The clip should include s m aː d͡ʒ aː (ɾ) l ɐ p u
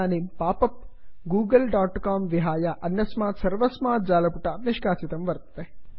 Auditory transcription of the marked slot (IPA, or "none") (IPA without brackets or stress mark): none